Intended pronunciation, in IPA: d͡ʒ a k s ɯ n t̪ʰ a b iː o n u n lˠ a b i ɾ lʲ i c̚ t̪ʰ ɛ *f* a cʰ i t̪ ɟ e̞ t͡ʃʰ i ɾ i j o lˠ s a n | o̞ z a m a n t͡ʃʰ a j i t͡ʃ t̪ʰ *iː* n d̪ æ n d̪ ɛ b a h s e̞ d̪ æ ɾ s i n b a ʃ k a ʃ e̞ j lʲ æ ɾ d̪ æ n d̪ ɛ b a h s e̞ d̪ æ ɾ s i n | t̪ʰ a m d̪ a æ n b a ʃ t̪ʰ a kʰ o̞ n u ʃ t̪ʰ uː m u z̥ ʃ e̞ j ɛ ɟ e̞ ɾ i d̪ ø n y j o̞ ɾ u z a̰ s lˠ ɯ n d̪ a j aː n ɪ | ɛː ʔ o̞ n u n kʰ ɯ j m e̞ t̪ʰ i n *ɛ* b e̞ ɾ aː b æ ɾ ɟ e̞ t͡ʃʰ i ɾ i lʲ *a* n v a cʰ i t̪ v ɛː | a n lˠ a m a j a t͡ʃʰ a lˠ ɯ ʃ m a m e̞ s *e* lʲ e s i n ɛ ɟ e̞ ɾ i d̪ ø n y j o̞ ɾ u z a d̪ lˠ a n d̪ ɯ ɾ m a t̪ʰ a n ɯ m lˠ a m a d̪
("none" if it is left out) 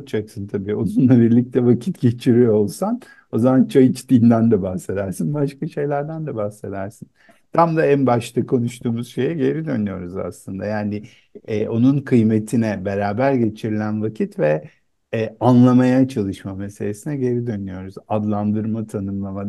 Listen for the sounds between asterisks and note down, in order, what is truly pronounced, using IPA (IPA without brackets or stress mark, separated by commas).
v, iː, ɛ, æ, e